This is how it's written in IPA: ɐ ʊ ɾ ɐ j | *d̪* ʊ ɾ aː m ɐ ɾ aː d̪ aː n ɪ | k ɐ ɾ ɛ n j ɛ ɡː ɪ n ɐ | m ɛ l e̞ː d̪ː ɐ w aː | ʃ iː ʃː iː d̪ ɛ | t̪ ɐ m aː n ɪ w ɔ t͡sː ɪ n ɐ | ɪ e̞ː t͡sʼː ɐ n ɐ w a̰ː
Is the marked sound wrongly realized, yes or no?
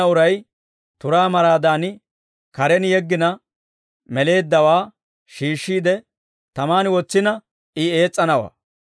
yes